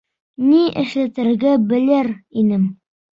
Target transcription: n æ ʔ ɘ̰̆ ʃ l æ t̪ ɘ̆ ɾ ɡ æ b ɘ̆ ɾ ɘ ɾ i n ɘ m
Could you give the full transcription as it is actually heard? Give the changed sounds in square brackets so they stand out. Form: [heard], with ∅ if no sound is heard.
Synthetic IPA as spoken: n [i] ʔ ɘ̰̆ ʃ l æ t̪ ɘ̆ ɾ ɡ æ b ɘ̆ [l] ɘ ɾ i n ɘ m